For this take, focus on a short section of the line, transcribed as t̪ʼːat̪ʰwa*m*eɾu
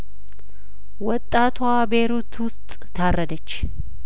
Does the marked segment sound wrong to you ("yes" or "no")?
yes